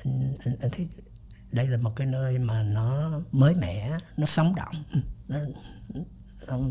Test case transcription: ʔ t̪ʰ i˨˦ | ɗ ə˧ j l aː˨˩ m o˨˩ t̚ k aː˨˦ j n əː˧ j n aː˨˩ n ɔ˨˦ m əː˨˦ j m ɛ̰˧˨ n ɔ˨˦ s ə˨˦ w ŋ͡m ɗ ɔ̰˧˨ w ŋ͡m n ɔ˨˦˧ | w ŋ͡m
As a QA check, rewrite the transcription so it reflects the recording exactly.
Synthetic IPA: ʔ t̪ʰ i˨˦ | ɗ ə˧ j l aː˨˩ m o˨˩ t̚ k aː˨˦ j n əː˧ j m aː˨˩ n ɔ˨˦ m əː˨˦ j m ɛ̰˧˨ n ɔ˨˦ s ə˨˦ w ŋ͡m ɗ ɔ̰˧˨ w ŋ͡m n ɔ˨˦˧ | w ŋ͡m